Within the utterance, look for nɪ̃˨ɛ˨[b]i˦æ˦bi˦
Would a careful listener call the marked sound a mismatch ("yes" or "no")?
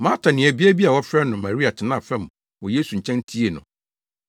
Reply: no